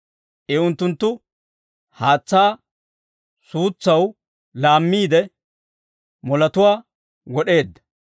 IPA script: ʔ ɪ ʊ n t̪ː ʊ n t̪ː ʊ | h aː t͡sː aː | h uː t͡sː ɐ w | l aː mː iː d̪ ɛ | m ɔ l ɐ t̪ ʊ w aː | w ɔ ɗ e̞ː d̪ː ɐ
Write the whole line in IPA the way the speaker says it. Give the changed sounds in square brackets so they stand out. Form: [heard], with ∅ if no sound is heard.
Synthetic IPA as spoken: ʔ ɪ ʊ n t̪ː ʊ n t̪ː ʊ | h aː t͡sː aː | [s] uː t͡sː ɐ w | l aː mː iː d̪ ɛ | m ɔ l ɐ t̪ ʊ w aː | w ɔ ɗ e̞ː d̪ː ɐ